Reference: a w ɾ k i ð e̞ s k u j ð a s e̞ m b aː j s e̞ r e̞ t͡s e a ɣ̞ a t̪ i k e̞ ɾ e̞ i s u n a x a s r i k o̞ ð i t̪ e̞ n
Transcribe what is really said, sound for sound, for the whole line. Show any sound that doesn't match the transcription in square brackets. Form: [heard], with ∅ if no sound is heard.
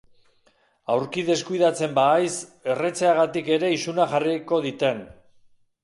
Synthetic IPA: a w ɾ k i ð e̞ s k u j ð a [t͡s] e̞ m b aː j s e̞ r e̞ t͡s e a ɣ̞ a t̪ i k e̞ ɾ e̞ i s u n a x a [∅] r i k o̞ ð i t̪ e̞ n